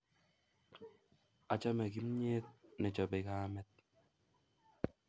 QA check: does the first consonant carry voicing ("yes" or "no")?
no